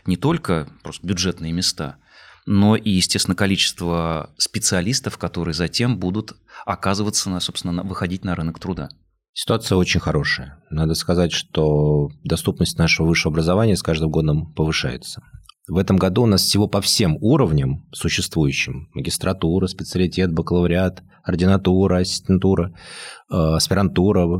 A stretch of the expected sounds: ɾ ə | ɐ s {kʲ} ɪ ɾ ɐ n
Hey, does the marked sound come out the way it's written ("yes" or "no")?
no